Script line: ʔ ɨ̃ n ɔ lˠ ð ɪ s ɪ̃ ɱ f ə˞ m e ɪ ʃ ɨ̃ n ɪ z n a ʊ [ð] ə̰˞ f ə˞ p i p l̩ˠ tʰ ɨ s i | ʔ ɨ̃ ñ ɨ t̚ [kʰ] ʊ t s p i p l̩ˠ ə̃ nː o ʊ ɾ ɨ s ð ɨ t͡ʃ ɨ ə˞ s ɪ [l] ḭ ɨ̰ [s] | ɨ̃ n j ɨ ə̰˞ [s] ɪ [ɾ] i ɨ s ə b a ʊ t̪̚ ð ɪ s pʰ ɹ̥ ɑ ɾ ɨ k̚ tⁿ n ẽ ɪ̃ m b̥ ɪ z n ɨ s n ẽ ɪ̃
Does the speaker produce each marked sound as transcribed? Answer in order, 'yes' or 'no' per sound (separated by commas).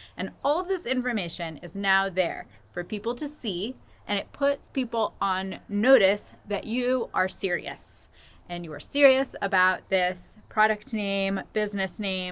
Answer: yes, no, no, yes, yes, no